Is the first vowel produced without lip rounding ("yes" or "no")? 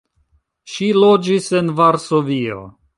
yes